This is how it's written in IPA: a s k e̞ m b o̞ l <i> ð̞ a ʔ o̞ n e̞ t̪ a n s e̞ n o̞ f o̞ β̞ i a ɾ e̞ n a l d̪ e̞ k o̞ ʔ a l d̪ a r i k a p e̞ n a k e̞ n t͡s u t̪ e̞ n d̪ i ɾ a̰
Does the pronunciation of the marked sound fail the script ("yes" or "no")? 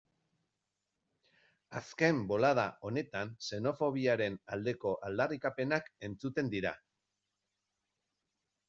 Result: yes